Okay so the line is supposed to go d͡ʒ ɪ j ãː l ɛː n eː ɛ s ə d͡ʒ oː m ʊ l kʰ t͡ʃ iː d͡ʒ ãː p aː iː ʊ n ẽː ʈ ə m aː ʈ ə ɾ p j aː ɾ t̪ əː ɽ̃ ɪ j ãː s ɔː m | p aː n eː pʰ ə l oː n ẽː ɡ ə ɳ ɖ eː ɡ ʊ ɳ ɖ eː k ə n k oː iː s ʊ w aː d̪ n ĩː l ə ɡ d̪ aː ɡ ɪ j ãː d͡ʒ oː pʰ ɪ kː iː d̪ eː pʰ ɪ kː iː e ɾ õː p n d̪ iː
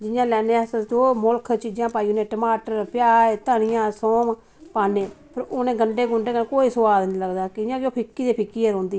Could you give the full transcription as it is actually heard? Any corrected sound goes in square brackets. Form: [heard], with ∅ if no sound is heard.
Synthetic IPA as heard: d͡ʒ ɪ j ãː l ɛː n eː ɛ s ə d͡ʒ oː m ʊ l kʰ t͡ʃ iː d͡ʒ ãː p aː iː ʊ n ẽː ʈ ə m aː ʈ ə ɾ p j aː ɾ t̪ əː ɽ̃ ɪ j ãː s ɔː m | p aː n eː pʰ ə [ɾ] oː n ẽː ɡ ə ɳ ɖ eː ɡ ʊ ɳ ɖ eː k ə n k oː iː s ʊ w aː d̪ n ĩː l ə ɡ d̪ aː [k] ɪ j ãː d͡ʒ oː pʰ ɪ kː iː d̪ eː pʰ ɪ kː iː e ɾ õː [∅] n d̪ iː